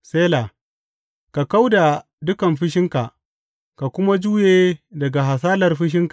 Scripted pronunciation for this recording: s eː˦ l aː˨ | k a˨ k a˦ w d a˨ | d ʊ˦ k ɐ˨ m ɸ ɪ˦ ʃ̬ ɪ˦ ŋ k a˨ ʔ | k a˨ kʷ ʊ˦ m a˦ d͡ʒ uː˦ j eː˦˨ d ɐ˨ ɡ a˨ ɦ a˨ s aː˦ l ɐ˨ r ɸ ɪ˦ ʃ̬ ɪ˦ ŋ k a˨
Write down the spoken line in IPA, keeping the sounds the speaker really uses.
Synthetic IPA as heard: s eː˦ l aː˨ | k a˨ k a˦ w d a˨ | d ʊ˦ k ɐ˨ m ɸ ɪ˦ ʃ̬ ɪ˦ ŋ k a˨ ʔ | k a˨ kʷ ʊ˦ m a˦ d͡ʒ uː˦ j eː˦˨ d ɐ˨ ɡ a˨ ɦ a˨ s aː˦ l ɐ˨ r ɸ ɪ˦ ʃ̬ ɪ˦ ŋ k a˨